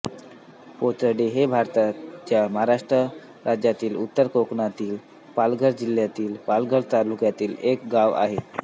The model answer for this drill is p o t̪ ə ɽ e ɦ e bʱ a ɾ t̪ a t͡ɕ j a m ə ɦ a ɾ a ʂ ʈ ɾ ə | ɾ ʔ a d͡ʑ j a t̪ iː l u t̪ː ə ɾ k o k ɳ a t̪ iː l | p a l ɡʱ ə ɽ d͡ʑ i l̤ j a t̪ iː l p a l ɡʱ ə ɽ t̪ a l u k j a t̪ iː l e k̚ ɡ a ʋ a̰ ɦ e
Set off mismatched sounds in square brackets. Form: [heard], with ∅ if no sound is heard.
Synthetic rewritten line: p o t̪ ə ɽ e ɦ e bʱ a ɾ t̪ a t͡ɕ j a m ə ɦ a ɾ a ʂ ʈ ɾ ə | ɾ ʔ a d͡ʑ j a t̪ iː l u t̪ː ə ɾ k o k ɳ a t̪ iː l | p a l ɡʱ ə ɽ d͡ʑ i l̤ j a t̪ iː l p a l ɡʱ ə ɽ t̪ a l u k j a t̪ iː l e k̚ ɡ a ʋ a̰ ɦ e